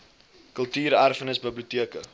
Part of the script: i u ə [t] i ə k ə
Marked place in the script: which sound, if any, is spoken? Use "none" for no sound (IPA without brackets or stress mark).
t